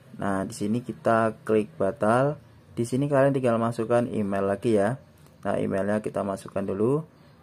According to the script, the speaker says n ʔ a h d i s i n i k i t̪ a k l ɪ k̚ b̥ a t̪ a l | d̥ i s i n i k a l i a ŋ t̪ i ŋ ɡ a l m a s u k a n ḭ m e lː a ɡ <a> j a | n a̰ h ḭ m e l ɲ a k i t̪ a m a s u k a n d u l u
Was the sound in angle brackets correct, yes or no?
no